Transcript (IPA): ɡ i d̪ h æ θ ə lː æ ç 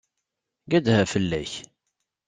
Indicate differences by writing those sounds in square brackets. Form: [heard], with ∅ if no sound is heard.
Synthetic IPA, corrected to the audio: ɡ [æ] d̪ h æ [f] ə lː æ ç